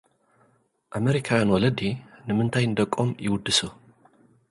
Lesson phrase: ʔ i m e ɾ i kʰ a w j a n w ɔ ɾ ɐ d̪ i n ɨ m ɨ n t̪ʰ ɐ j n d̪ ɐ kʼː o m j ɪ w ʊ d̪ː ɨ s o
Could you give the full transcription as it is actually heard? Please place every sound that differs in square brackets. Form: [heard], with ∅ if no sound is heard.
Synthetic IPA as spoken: ʔ [a] m e ɾ i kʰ a w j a n w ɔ [l] ɐ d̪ i n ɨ m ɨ n t̪ʰ [a] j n d̪ ɐ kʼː o m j ɪ w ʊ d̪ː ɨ s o